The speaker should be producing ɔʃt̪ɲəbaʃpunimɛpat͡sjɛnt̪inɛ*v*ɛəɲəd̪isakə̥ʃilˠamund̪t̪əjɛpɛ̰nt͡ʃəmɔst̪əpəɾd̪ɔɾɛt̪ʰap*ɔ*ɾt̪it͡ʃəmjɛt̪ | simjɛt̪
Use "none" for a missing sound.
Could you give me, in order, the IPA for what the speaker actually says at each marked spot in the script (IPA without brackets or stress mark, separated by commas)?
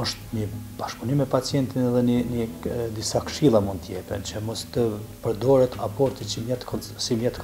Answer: ð, ɔ